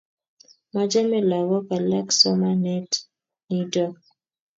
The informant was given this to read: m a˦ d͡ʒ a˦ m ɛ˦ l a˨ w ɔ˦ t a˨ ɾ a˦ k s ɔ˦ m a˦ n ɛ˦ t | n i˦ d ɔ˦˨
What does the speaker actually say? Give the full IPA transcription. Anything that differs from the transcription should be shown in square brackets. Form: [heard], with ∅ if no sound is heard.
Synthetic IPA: m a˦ d͡ʒ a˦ m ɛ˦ l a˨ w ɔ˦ [k] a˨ [l] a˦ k s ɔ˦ m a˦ n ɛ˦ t | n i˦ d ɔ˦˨